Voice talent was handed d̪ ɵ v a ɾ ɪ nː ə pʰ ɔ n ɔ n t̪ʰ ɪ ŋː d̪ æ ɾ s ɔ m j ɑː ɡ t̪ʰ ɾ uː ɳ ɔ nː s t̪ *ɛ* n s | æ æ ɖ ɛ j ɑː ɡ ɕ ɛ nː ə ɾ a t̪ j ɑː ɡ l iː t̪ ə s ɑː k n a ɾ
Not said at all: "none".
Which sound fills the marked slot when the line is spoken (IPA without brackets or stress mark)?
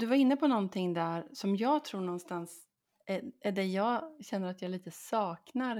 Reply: a